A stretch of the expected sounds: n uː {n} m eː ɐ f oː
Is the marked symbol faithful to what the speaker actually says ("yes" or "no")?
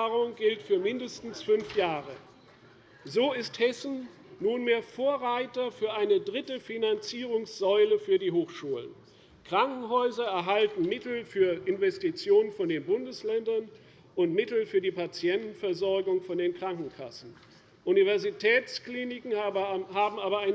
yes